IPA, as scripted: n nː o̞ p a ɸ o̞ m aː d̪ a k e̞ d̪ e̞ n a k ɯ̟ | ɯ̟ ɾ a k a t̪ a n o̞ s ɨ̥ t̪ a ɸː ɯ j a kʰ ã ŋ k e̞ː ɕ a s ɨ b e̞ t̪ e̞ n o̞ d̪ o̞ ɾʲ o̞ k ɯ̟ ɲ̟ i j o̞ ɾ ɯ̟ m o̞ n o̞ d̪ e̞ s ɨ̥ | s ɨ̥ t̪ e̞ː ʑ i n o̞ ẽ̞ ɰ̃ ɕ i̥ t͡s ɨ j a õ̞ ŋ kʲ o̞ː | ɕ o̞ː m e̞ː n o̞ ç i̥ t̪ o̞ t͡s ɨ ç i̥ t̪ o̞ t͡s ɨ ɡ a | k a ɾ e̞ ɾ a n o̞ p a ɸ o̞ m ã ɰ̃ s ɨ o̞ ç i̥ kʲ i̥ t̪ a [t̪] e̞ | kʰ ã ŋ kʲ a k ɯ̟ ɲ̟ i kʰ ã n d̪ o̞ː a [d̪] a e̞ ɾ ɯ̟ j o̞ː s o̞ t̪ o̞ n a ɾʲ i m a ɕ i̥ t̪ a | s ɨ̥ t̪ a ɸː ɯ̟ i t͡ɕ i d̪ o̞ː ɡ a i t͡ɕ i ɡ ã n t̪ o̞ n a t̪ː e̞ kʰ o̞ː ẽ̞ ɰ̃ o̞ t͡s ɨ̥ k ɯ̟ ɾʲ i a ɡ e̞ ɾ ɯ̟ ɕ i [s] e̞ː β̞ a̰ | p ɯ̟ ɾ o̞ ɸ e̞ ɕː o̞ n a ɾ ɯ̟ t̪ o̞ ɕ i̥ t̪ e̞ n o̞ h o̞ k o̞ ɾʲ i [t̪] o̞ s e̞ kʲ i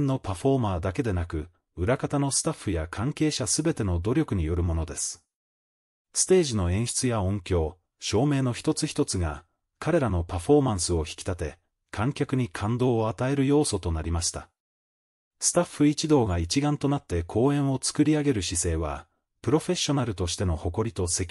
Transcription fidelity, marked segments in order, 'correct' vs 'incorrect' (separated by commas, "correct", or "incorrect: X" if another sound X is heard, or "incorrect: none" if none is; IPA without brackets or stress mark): correct, incorrect: t̪, correct, correct